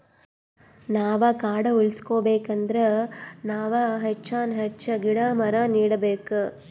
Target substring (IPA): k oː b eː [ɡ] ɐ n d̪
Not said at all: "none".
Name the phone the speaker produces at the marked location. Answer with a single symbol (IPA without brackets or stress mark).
k